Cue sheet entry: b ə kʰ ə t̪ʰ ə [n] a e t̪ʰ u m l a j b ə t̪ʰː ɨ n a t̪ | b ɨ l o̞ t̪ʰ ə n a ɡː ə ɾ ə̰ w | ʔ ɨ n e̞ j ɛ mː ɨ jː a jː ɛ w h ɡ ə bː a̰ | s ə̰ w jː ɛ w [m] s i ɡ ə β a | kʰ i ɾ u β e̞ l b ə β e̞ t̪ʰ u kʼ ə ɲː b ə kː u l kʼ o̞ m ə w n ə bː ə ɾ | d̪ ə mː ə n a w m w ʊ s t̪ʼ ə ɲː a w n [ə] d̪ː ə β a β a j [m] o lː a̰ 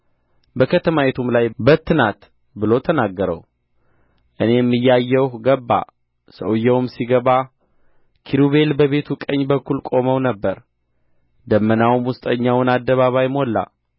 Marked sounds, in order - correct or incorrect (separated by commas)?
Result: incorrect, correct, incorrect, correct